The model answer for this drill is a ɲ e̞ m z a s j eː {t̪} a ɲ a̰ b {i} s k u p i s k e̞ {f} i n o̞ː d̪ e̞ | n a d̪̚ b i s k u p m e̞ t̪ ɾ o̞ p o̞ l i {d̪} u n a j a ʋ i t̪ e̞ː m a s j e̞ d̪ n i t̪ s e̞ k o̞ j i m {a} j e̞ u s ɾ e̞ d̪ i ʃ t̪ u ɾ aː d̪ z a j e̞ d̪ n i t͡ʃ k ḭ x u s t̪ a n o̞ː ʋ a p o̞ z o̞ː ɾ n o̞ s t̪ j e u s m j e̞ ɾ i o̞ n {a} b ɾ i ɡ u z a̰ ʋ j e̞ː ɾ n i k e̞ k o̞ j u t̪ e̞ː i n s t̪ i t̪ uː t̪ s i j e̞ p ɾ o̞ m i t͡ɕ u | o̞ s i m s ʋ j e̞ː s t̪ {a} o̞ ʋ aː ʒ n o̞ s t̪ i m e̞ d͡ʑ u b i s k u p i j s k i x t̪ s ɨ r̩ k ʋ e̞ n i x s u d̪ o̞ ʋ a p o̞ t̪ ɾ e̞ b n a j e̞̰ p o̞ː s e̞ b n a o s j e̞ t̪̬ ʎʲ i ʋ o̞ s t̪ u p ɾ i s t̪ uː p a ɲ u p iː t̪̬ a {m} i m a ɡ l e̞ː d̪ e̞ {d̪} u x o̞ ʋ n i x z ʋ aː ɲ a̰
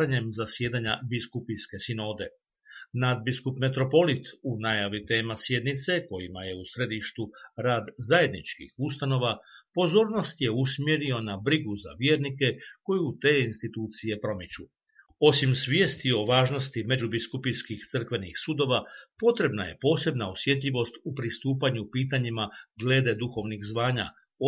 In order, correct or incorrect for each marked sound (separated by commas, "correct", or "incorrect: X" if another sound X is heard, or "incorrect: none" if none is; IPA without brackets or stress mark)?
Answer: incorrect: d̪, correct, incorrect: s, incorrect: t̪, correct, correct, incorrect: i, incorrect: ɲ, correct